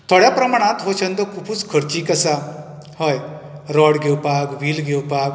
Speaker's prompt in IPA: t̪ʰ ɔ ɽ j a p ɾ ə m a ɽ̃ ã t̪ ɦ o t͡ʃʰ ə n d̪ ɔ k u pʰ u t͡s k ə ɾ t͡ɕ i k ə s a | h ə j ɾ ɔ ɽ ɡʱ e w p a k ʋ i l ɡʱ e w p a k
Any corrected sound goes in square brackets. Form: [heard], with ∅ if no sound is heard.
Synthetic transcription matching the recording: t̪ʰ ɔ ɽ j a p ɾ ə m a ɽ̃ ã t̪ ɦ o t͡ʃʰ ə n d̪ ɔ k u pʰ u t͡s [kʰ] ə ɾ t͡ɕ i k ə s a | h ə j ɾ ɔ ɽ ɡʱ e w p a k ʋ i l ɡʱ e w p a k